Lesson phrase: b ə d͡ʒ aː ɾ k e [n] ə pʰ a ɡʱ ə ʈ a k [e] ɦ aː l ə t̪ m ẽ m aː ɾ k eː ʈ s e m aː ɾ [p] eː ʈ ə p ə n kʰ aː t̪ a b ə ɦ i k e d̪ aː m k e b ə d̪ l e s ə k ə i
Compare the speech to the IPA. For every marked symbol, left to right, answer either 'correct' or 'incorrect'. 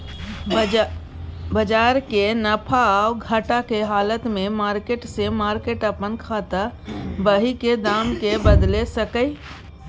correct, correct, incorrect: k

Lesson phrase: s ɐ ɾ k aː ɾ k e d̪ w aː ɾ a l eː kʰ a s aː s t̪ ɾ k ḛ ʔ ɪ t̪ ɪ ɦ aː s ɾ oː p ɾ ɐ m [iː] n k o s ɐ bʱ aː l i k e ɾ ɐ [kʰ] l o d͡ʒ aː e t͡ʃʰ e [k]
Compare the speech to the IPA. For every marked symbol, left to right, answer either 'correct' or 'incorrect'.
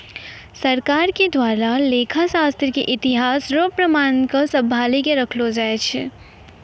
incorrect: aː, correct, incorrect: none

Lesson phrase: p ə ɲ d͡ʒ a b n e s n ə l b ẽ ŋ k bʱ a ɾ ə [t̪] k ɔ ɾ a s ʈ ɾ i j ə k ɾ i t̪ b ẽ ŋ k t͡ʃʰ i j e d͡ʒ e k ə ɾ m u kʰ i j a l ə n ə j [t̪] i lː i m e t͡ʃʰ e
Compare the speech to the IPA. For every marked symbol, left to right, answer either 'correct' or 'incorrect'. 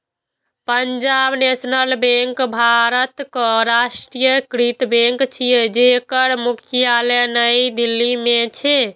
correct, incorrect: d̪

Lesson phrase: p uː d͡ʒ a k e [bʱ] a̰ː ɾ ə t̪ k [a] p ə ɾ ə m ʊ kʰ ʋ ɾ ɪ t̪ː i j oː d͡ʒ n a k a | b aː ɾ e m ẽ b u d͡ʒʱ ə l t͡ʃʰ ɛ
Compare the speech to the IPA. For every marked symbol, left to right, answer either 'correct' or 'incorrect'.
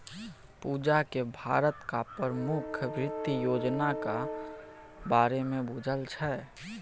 correct, correct

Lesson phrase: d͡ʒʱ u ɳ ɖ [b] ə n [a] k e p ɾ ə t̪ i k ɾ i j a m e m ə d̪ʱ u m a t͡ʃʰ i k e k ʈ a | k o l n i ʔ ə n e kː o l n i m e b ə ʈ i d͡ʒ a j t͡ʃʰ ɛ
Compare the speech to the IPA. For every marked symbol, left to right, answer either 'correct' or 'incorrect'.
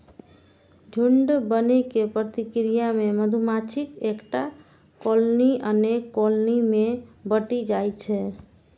correct, incorrect: e

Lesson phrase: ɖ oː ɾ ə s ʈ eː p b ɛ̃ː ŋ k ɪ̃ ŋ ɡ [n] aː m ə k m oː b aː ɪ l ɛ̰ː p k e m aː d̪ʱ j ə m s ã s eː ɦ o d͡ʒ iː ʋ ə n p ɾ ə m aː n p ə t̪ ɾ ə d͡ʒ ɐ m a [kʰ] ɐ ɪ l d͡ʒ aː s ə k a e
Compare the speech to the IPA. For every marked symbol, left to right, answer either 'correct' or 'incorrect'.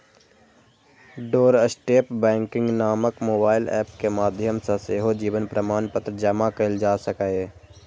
correct, incorrect: k

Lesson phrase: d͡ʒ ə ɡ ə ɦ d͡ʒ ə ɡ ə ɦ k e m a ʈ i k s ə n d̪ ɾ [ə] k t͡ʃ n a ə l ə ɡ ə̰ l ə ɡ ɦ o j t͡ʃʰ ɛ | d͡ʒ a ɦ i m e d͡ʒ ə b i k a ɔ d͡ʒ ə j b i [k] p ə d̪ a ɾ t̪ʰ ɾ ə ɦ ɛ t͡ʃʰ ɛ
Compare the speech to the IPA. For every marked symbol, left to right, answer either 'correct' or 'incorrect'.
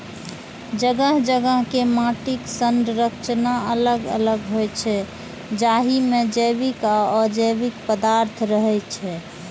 correct, correct

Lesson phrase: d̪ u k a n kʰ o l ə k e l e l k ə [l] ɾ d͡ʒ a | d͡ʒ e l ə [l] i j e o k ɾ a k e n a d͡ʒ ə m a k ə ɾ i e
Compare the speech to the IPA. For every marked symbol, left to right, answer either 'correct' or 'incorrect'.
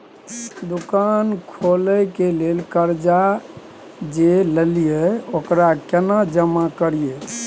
incorrect: none, correct

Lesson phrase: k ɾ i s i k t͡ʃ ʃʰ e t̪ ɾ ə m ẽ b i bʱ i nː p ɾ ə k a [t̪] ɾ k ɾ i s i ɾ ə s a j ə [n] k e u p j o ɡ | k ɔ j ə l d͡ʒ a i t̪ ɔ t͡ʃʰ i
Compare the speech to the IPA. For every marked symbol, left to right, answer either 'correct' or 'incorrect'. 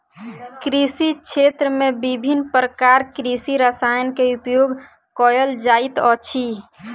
incorrect: none, correct

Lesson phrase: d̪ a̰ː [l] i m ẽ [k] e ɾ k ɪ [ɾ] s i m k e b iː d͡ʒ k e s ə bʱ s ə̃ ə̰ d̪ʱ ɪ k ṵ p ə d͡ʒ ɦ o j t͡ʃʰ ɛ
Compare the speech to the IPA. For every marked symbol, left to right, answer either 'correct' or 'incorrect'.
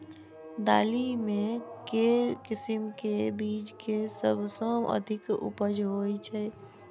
correct, correct, incorrect: none

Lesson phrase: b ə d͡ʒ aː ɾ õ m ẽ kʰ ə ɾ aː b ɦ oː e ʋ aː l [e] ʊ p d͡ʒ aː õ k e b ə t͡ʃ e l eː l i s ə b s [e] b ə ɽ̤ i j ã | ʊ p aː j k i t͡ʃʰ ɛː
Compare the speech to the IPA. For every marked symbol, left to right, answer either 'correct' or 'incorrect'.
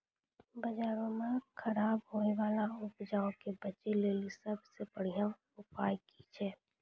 incorrect: a, correct

